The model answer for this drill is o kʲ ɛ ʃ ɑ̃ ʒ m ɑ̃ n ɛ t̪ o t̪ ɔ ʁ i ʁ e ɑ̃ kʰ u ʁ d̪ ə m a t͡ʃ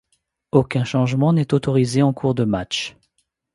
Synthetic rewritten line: o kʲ ɛ̃ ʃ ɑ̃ ʒ m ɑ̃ n ɛ t̪ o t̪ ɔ ʁ i z e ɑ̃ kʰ u ʁ d̪ ə m a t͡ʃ